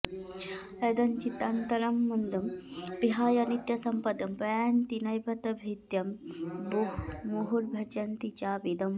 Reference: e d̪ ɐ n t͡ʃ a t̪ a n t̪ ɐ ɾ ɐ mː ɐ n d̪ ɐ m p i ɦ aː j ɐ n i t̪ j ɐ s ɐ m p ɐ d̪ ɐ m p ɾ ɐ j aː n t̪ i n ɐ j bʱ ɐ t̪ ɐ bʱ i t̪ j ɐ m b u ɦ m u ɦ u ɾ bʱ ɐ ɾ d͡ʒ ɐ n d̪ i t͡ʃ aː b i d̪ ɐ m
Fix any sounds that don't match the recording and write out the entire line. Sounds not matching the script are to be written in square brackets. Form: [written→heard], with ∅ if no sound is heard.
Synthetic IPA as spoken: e d̪ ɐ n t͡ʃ [a→i] t̪ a n t̪ ɐ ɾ ɐ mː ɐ n d̪ ɐ m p i ɦ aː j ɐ n i t̪ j ɐ s ɐ m p ɐ d̪ ɐ m p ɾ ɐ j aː n t̪ i n ɐ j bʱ ɐ t̪ ɐ bʱ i t̪ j ɐ m b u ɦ m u ɦ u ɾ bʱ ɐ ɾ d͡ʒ ɐ n [d̪→t̪] i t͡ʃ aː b i d̪ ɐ m